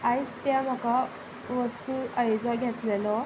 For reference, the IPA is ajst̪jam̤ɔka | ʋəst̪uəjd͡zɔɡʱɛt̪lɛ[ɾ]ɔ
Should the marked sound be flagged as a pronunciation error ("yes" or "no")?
yes